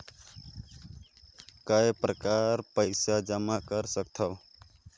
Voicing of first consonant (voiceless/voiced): voiceless